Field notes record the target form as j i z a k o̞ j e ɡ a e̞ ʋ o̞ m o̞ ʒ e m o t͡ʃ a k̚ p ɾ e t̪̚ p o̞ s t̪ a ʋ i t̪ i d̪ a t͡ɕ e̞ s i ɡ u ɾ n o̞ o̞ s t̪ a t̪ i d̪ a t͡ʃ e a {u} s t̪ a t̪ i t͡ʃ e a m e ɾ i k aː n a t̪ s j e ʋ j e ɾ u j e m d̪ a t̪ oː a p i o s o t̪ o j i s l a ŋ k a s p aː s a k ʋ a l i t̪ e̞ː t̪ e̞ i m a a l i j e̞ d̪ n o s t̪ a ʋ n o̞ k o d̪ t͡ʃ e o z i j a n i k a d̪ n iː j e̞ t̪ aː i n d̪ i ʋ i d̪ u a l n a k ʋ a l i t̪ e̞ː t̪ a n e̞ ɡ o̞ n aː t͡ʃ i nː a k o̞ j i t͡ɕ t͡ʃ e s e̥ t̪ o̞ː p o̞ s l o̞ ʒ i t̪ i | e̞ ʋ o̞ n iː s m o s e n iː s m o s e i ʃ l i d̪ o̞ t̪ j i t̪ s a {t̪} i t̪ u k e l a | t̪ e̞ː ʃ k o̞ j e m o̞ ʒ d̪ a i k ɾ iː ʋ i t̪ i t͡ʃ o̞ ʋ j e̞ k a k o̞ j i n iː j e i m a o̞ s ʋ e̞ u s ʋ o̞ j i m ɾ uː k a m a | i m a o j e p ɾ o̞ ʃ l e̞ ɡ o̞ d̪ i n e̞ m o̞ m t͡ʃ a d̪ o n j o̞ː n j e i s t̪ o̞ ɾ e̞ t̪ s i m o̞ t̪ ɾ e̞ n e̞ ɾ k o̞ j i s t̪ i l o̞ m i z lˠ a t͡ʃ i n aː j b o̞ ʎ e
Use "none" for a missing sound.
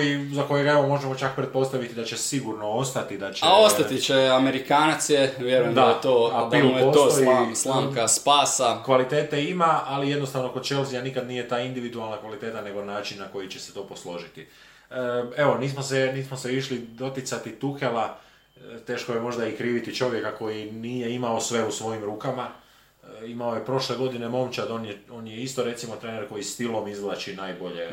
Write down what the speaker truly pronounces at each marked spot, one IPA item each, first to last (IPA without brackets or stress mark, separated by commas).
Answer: o, t̪